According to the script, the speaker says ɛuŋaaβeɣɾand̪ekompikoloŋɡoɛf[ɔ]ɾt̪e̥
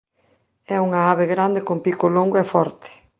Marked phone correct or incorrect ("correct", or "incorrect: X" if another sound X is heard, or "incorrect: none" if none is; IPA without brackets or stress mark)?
correct